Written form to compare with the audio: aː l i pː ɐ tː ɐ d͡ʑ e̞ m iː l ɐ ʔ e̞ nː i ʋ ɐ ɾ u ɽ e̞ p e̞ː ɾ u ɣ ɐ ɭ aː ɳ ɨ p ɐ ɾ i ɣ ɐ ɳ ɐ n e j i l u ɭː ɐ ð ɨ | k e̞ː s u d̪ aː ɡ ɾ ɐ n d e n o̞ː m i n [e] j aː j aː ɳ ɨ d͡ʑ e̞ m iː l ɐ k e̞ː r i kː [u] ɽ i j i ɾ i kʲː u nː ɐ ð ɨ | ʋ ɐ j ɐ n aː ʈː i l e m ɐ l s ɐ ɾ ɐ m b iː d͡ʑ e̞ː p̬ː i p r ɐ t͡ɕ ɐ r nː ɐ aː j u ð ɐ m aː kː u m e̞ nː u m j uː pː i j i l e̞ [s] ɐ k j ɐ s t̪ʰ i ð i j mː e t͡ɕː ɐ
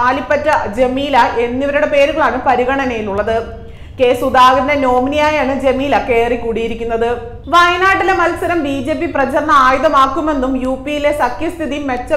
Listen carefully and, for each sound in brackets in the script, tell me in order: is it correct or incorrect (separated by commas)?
incorrect, incorrect, correct